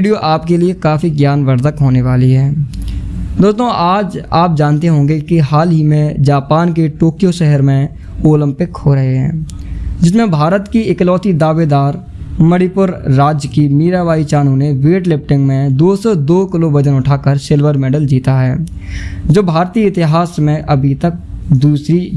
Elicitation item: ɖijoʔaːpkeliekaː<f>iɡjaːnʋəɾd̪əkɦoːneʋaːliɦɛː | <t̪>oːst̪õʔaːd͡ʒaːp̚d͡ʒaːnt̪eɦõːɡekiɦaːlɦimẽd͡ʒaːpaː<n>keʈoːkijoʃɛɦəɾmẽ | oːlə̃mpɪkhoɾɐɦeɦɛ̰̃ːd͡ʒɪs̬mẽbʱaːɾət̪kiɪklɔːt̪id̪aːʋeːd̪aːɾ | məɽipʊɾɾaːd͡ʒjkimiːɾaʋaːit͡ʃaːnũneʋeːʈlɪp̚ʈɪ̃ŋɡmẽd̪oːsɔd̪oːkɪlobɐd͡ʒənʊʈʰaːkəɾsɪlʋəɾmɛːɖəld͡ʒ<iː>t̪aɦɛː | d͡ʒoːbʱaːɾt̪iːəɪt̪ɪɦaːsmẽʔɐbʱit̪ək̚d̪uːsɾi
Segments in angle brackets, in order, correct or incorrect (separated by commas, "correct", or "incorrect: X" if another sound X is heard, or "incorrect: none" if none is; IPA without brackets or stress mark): correct, incorrect: d̪, correct, correct